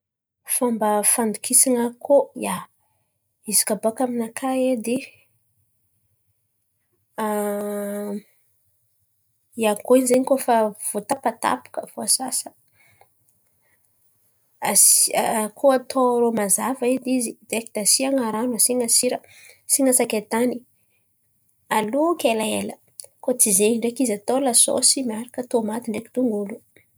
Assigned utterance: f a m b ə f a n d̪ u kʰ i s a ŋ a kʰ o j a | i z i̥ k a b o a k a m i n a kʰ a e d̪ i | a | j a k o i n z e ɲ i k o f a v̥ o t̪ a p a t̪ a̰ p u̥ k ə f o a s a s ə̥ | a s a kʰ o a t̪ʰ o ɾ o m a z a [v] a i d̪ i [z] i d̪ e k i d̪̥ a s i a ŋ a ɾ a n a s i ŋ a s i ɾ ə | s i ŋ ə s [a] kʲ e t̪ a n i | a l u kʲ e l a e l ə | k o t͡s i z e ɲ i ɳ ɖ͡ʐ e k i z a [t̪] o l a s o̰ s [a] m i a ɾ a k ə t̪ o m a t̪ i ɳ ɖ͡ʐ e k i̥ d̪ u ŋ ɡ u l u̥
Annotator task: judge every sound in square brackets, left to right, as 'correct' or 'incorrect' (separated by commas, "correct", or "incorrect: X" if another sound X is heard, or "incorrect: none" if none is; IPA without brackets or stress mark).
correct, correct, correct, correct, incorrect: i